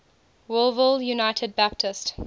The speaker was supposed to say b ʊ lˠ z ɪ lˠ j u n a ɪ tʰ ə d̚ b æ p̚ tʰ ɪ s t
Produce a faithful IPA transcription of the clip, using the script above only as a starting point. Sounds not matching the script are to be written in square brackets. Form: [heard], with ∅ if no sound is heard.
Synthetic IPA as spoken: [w] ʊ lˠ [v] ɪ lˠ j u n a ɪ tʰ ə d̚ b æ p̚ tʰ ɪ s t